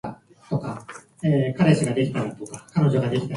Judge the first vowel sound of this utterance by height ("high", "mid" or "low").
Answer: mid